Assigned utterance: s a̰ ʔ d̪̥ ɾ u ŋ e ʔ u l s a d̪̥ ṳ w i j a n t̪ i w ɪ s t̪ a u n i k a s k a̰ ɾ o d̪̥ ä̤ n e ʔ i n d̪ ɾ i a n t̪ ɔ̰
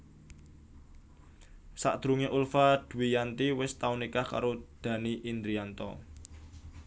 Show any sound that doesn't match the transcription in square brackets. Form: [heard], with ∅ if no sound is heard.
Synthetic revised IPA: s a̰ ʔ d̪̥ ɾ u ŋ e ʔ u l [f] a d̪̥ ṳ w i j a n t̪ i w ɪ s t̪ a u n i k a [h] k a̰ ɾ o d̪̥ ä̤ n [i] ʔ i n d̪ ɾ i a n t̪ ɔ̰